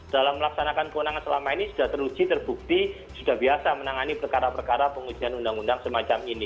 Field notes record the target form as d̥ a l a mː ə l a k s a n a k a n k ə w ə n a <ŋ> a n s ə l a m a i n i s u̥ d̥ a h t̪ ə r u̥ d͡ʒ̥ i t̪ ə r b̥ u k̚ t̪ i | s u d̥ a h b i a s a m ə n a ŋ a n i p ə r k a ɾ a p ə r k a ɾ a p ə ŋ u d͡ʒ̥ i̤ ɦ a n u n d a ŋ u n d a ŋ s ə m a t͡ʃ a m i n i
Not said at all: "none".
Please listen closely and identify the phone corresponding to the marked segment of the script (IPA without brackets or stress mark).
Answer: ŋ